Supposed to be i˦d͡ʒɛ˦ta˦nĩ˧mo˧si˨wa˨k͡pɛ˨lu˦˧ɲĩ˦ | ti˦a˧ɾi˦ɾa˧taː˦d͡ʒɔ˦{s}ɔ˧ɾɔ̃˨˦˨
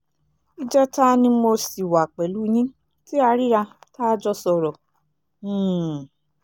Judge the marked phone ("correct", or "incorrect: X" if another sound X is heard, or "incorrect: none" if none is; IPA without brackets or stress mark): correct